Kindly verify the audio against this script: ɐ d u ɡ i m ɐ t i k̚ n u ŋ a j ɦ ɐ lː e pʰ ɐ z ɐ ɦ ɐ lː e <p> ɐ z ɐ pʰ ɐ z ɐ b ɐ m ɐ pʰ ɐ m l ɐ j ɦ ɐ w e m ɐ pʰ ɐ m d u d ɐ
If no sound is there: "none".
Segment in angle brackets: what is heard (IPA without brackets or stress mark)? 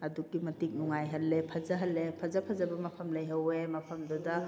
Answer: pʰ